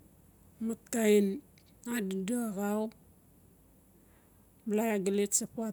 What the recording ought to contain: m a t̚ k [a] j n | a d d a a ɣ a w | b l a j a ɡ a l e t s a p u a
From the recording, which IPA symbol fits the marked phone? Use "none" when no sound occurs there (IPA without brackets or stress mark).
a